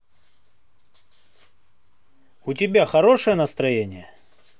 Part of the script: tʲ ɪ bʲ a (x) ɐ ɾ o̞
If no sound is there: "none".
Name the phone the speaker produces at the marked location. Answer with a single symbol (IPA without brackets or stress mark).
x